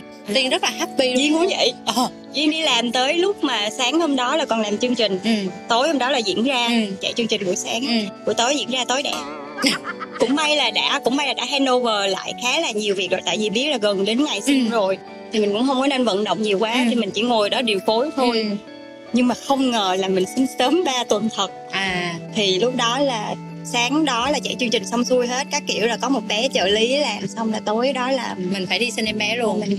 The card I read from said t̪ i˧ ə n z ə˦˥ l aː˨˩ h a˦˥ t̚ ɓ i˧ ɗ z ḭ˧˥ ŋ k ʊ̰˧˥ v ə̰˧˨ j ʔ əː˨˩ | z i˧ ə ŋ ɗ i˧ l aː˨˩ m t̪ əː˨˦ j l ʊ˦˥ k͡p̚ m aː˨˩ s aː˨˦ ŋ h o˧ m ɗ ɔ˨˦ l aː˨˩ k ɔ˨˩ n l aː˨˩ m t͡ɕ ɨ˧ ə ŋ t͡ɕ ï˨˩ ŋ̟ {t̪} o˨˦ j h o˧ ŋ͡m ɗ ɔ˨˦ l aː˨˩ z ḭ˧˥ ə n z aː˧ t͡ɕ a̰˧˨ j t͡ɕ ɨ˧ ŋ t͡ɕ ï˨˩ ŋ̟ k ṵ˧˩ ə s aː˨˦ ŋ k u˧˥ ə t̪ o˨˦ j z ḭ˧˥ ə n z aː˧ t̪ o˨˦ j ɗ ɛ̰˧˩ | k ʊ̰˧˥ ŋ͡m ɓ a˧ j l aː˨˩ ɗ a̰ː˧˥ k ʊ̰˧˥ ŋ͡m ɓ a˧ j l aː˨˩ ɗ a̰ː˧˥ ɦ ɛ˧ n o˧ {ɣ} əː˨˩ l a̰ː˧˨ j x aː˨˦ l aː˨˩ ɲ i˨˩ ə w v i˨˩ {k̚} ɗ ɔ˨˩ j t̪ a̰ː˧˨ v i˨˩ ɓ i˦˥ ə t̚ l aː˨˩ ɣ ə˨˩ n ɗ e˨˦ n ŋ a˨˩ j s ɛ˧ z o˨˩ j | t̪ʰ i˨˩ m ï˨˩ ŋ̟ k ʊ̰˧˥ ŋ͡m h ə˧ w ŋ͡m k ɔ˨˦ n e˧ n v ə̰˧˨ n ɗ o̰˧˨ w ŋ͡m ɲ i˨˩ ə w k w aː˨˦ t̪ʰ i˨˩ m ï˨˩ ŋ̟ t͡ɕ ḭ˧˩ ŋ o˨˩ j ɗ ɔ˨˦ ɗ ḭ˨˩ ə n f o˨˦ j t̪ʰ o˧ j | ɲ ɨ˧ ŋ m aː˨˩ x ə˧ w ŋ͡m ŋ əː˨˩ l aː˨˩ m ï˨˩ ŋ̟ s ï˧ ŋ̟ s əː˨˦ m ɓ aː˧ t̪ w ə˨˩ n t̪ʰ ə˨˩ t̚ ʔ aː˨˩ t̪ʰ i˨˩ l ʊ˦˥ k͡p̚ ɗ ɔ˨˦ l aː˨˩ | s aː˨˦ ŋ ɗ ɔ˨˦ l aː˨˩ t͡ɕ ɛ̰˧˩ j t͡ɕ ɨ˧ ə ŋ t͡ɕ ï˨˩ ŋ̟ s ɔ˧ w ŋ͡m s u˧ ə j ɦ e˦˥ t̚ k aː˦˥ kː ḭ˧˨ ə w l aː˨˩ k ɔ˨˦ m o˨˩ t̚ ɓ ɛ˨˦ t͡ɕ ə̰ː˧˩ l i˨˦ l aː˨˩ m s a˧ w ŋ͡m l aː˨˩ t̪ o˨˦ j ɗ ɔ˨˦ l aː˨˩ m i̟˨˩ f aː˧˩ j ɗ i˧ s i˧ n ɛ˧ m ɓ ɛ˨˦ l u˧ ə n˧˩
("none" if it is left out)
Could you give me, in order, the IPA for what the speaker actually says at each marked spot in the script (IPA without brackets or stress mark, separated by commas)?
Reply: t̪, v, k̚